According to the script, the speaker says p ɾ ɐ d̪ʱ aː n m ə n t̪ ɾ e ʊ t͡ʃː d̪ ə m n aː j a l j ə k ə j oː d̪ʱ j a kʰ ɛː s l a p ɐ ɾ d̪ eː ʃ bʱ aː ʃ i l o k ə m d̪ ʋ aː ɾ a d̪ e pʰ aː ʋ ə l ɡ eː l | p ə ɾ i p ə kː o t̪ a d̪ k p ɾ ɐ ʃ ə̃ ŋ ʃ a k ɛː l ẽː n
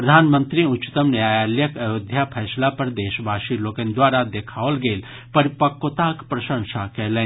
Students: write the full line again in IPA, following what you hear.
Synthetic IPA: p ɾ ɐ d̪ʱ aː n m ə n t̪ ɾ i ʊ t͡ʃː t̪ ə m n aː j a l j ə k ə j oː d̪ʱ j a pʰ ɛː s l a p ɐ ɾ d̪ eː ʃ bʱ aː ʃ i l o k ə n d̪ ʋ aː ɾ a d̪ e kʰ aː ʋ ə l ɡ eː l | p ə ɾ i p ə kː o t̪ a k p ɾ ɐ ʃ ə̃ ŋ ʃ a k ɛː l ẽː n